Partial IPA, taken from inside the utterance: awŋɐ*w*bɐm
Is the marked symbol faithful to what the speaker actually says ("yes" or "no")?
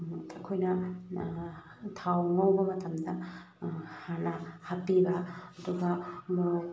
yes